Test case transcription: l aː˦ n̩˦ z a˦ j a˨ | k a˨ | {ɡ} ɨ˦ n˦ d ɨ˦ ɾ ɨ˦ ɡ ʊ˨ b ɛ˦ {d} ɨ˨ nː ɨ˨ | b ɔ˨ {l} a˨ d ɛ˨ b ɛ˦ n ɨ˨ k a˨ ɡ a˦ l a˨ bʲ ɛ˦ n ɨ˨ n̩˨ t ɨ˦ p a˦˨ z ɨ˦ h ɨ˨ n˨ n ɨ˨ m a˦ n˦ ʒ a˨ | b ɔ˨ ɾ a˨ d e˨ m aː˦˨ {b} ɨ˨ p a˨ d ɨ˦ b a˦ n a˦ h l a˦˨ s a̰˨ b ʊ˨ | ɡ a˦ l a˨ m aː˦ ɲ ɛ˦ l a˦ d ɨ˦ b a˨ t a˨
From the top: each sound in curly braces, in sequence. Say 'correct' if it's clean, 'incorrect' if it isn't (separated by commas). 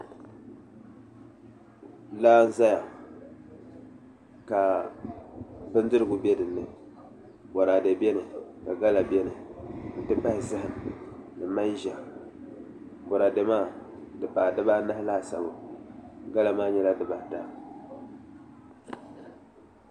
incorrect, correct, incorrect, incorrect